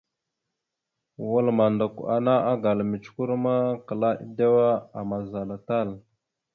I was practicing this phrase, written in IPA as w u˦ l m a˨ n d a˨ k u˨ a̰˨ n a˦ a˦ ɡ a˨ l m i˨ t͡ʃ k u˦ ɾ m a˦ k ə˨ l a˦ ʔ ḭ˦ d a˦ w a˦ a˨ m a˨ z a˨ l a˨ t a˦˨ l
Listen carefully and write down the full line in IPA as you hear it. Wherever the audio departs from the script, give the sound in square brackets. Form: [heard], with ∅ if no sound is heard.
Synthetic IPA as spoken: w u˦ l m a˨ n d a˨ k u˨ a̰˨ n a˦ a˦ ɡ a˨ l m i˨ t͡ʃ k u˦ ɾ m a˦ k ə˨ l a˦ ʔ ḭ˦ d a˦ w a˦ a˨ m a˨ z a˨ l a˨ t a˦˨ l

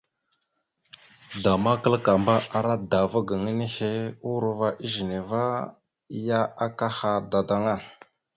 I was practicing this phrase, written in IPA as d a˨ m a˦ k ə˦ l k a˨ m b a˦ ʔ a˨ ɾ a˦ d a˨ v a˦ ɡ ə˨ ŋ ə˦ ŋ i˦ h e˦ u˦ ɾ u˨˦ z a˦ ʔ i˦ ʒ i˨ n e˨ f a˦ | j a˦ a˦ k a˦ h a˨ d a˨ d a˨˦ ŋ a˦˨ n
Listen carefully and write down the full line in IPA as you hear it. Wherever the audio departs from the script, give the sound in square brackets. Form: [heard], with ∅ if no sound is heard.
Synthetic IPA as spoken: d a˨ m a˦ k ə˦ l k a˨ m b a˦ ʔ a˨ ɾ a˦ d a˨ v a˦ ɡ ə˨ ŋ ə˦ [n] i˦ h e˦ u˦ ɾ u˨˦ [v] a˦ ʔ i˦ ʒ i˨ n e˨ [v] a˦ | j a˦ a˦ k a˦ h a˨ d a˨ d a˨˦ ŋ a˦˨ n

